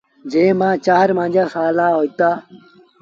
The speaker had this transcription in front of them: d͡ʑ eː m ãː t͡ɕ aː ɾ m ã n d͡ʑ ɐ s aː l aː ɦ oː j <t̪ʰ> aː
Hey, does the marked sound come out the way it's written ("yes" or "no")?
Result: no